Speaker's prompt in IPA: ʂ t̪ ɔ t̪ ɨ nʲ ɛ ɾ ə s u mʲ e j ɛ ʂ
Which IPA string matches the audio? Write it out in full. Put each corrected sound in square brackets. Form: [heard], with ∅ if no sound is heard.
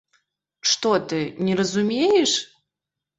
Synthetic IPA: ʂ t̪ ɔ t̪ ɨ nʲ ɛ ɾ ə [z] u mʲ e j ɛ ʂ